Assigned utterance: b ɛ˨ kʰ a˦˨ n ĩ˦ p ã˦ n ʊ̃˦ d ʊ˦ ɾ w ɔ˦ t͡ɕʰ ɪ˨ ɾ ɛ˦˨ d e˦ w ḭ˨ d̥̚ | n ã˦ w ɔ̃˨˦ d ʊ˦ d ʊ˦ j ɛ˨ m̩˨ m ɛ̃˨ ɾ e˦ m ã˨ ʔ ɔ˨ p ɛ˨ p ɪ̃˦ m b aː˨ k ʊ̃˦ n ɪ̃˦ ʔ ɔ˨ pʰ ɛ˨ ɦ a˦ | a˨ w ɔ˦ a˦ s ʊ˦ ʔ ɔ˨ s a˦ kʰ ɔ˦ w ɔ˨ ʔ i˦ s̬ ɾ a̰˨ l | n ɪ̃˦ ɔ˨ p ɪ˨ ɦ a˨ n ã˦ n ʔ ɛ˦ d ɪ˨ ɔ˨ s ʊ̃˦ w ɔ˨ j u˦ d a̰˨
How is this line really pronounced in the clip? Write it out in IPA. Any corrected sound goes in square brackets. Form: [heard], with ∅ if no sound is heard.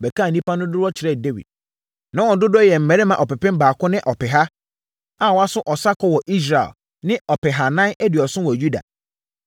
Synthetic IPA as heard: b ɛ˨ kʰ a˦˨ n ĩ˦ p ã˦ n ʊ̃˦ d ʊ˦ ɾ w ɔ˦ t͡ɕʰ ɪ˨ ɾ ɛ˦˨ d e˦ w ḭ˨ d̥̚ | n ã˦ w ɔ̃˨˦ d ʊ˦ d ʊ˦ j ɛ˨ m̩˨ m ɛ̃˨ ɾ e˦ m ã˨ ʔ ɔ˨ p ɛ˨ p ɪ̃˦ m b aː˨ k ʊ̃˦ n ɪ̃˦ ʔ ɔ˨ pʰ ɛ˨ ɦ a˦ | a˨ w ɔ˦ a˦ s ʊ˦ ʔ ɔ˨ s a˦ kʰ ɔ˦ w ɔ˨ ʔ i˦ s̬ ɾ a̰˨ l | n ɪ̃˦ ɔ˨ p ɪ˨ ɦ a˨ n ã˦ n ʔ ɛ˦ d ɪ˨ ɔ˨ s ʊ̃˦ w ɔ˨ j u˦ d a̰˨